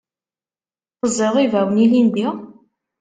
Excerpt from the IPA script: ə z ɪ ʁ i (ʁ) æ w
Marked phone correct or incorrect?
incorrect